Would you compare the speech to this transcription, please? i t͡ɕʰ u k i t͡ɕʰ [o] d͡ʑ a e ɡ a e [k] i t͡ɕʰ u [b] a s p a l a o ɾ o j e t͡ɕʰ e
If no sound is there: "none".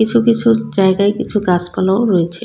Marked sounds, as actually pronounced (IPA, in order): u, k, ɡ

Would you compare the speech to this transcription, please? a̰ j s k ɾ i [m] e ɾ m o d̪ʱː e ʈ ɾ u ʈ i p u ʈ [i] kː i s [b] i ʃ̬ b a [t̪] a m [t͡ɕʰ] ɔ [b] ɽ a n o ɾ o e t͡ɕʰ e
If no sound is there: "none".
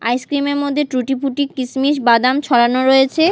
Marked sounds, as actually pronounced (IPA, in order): m, i, m, d̪, t͡ɕʰ, none

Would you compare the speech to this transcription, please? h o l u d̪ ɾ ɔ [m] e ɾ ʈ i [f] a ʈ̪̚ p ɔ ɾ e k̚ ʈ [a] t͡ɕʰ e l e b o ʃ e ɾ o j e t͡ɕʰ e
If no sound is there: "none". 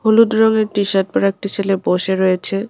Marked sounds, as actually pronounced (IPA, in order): ŋ, ʃ, i

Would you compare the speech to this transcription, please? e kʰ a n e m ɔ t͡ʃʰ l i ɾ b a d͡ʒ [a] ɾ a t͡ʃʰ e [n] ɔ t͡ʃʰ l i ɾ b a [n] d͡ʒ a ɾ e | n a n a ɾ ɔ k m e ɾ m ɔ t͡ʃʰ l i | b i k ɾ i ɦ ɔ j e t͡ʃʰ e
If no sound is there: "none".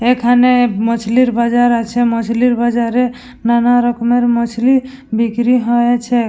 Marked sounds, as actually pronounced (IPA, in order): a, m, none

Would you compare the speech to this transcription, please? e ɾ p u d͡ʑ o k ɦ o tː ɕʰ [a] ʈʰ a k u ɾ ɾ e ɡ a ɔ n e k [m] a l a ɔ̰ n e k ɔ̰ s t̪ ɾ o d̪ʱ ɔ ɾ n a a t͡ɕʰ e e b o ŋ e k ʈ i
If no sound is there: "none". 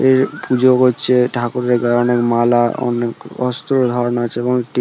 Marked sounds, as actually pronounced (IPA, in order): e, m

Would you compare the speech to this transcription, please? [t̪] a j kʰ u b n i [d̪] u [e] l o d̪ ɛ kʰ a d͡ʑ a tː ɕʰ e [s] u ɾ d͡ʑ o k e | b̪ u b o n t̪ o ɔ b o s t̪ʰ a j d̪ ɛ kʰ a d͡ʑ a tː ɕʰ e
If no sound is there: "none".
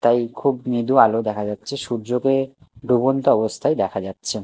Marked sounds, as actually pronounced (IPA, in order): t̪, d̪, a, ʃ

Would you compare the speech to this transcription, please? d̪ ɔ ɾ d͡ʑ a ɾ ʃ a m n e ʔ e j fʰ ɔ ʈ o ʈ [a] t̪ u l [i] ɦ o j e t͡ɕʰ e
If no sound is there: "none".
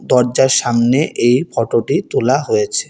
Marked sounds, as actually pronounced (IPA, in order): i, a

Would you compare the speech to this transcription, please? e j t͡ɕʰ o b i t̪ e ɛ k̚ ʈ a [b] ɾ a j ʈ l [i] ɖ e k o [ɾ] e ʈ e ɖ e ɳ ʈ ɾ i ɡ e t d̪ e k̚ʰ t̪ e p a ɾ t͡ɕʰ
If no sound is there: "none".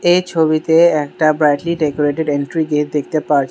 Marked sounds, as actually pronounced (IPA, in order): b, i, ɾ

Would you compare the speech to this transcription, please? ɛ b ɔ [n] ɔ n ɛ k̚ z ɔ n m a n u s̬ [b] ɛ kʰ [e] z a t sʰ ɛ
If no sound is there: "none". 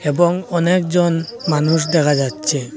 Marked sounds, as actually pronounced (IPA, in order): ŋ, d, a

